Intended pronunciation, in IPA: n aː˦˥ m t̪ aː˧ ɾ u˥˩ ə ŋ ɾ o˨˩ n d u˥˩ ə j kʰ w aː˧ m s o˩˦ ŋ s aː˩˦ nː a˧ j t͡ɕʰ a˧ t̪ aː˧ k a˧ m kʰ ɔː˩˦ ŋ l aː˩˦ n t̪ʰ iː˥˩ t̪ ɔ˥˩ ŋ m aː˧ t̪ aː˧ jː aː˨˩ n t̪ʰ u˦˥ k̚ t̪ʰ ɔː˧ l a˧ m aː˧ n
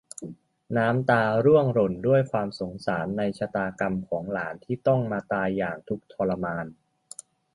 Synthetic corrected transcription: n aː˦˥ m t̪ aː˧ ɾ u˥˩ ə ŋ ɾ o˨˩ n d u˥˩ ə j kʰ w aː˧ m s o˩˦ ŋ s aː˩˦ nː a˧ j t͡ɕʰ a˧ t̪ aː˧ k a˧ m kʰ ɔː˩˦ ŋ l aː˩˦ n t̪ʰ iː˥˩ t̪ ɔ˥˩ ŋ m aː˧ t̪ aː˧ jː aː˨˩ ŋ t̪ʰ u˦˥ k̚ t̪ʰ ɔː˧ l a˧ m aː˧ n

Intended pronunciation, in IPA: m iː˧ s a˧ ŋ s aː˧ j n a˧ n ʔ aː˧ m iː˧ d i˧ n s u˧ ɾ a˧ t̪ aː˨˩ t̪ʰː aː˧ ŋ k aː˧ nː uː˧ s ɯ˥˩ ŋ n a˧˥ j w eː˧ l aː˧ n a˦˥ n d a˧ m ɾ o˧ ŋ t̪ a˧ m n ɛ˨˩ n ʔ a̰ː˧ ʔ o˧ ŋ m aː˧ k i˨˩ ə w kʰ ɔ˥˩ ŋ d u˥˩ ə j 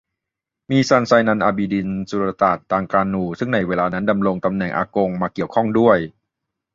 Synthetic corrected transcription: m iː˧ s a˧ n s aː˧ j n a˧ n ʔ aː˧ b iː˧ d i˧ n s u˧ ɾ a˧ t̪ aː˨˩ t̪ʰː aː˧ ŋ k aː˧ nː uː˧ s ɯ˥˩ ŋ n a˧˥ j w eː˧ l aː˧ n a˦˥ n d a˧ m ɾ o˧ ŋ t̪ a˧ m n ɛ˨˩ ŋ ʔ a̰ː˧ k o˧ ŋ m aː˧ k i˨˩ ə w kʰ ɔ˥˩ ŋ d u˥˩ ə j

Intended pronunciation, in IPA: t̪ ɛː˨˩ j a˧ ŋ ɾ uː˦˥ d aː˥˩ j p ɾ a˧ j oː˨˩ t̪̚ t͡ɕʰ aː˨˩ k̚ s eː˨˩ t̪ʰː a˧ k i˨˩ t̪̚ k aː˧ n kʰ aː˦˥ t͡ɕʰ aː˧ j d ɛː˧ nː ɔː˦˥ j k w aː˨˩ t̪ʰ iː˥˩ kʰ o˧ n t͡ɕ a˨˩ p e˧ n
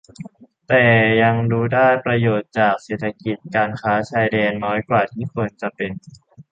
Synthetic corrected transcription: t̪ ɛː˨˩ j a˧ ŋ ɾ uː˦˥ d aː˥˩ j p ɾ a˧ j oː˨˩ t̪̚ t͡ɕ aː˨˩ k̚ s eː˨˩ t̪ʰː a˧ k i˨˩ t̪̚ k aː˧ n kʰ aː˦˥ t͡ɕʰ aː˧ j d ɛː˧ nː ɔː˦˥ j k w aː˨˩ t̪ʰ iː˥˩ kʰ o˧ n t͡ɕ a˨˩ p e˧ n

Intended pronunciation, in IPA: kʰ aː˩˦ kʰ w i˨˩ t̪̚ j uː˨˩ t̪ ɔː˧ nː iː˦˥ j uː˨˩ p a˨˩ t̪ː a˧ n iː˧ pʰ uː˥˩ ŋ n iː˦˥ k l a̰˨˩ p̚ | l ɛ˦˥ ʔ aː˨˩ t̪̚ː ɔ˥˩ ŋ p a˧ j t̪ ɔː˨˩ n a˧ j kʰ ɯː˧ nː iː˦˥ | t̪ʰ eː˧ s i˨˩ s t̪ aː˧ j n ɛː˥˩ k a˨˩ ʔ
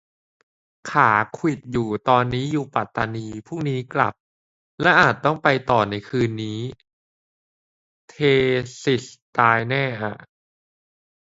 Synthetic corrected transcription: kʰ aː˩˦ kʰ w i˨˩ t̪̚ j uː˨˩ t̪ ɔː˧ nː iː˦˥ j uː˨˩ p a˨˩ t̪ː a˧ n iː˧ pʰ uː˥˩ ŋ n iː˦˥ k l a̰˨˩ p̚ | l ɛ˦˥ ʔ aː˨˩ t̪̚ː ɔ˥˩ ŋ p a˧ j t̪ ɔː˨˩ n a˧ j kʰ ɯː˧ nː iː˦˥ | t̪ʰ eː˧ s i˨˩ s t̪ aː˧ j n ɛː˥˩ ʔ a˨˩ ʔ

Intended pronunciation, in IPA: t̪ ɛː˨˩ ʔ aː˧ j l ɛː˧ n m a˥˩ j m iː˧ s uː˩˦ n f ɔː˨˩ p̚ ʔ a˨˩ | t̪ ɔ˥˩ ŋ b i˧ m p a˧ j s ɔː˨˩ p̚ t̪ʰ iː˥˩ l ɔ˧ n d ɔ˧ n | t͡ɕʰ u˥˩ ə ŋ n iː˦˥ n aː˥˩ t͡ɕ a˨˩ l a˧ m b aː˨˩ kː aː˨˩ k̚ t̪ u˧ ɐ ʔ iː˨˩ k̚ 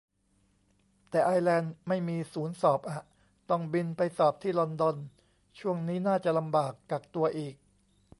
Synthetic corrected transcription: t̪ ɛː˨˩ ʔ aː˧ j l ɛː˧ n m a˥˩ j m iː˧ s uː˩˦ n s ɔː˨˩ p̚ ʔ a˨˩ | t̪ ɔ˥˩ ŋ b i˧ n p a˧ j s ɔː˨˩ p̚ t̪ʰ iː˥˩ l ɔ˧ n d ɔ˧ n | t͡ɕʰ u˥˩ ə ŋ n iː˦˥ n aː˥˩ t͡ɕ a˨˩ l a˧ m b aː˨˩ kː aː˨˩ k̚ t̪ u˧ ɐ ʔ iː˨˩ k̚

